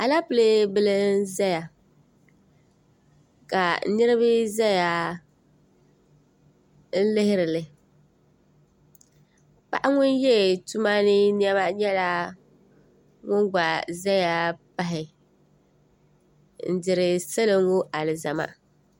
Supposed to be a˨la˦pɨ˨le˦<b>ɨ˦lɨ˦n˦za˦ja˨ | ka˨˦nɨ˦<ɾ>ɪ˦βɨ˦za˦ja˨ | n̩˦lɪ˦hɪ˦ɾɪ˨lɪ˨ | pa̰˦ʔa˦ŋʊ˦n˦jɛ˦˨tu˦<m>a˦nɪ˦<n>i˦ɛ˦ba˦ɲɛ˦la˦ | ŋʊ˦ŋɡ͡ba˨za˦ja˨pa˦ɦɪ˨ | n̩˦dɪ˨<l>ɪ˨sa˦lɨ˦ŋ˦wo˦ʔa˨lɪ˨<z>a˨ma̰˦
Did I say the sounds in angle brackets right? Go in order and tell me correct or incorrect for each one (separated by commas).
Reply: correct, correct, correct, correct, incorrect, correct